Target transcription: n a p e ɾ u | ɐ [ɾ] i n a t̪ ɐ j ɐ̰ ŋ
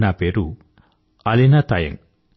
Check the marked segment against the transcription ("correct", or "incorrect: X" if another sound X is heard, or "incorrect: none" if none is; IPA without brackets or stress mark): incorrect: l